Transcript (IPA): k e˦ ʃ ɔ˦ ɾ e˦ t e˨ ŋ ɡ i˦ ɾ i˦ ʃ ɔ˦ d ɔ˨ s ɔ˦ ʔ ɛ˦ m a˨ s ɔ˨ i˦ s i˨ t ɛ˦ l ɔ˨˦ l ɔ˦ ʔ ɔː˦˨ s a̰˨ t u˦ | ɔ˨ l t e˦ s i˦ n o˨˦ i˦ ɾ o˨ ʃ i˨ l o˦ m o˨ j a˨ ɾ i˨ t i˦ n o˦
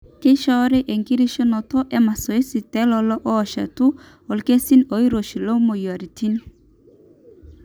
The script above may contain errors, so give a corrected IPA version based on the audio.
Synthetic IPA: k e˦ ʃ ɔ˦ ɾ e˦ ʔ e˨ ŋ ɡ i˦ ɾ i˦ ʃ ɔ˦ n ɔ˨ t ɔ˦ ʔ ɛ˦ m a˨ s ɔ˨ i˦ s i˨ t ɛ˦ l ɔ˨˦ l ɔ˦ ʔ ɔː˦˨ ʃ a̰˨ t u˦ | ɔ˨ l k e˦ s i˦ n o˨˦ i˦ ɾ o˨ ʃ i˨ l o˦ m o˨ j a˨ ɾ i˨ t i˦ n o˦